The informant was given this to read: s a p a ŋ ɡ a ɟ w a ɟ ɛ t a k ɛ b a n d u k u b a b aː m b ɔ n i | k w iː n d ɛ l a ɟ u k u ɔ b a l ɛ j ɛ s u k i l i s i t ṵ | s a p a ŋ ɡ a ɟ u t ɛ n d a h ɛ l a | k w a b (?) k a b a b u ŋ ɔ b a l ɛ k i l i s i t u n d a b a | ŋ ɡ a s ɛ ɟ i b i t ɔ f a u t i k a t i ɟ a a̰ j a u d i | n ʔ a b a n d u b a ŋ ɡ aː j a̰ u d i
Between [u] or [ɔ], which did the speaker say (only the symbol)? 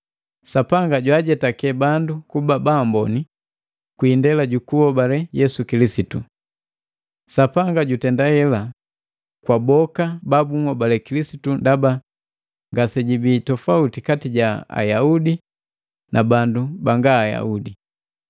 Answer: ɔ